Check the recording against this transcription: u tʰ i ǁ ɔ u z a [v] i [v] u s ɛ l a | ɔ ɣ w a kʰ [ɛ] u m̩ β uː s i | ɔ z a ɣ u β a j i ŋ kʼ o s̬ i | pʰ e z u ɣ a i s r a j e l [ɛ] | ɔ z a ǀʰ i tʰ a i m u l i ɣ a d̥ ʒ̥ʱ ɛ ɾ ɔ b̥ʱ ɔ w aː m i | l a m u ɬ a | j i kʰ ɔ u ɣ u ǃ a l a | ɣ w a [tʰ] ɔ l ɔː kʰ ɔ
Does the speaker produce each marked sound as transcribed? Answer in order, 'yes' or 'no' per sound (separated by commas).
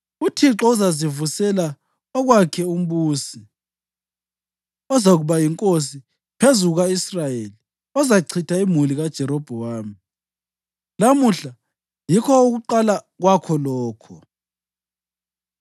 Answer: no, yes, yes, no, no